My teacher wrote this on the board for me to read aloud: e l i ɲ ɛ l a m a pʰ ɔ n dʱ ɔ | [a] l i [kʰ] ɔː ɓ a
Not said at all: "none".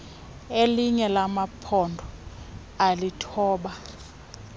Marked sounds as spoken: a, tʰ

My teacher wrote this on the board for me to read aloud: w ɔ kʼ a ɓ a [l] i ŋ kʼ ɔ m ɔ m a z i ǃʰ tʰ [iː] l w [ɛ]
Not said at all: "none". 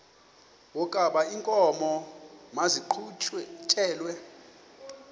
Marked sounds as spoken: none, ɛː, ɛ

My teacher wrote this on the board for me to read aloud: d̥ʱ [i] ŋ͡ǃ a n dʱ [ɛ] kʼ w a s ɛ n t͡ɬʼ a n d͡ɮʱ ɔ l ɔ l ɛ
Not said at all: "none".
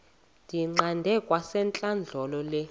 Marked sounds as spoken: i, ɛ

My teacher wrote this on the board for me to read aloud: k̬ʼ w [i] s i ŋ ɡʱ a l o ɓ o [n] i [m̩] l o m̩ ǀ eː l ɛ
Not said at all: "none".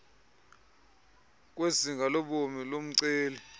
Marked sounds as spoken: e, m, none

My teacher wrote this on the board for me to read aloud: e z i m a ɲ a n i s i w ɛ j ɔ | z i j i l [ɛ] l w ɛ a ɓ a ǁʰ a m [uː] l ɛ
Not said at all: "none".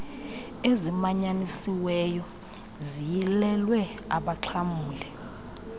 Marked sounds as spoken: ɛ, uː

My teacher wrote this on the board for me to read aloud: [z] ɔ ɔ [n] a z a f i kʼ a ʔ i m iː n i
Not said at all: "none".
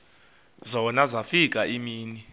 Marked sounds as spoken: z, n

